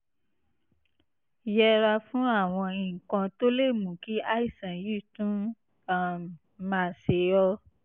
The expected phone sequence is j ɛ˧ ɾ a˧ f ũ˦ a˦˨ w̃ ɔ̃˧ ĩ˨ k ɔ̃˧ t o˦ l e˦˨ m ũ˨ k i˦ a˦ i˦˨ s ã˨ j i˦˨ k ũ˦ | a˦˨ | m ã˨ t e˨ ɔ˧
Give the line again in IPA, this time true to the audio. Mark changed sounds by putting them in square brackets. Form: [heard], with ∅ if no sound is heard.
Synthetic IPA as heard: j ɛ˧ ɾ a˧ f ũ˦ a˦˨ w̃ ɔ̃˧ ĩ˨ k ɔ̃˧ t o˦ l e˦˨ m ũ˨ k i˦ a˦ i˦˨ s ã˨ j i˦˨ [t] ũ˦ | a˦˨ | m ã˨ [s] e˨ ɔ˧